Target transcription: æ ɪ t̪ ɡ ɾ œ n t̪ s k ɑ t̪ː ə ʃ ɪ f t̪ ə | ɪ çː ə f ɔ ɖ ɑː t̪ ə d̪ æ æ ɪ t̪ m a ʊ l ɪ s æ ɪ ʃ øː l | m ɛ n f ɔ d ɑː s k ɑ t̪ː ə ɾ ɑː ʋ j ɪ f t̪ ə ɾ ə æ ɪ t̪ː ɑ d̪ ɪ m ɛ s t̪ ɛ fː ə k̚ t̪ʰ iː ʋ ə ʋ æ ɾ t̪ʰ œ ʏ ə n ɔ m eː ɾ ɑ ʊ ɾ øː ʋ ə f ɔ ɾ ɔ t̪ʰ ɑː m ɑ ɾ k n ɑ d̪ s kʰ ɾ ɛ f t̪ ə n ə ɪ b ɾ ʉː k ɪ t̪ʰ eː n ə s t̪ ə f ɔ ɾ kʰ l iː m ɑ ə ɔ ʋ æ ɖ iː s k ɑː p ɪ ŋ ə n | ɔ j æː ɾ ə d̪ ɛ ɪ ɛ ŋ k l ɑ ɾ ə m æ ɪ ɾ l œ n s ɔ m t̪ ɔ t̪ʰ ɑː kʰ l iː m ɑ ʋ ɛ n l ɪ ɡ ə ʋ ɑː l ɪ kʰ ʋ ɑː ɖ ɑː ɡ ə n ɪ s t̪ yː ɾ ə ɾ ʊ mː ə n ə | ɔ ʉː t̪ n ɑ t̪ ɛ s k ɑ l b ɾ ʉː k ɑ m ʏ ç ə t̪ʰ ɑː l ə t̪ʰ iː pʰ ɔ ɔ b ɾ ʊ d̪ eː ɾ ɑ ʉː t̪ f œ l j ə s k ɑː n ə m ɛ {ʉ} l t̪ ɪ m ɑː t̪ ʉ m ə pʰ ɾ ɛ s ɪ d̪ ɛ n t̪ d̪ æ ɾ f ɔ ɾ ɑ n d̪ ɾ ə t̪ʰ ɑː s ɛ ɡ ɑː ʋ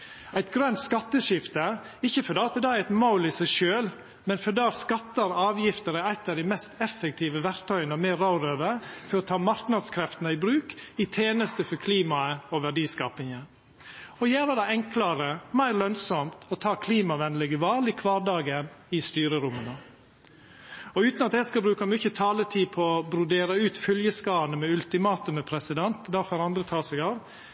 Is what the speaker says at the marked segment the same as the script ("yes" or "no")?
yes